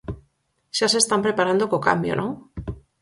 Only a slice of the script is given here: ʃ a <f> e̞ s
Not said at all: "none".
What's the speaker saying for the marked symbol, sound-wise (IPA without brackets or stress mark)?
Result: s